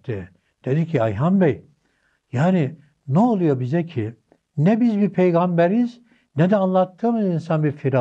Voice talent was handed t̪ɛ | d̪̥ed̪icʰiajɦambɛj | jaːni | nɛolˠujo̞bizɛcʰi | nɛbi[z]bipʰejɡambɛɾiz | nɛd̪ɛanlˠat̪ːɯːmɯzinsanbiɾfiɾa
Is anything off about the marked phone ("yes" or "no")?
no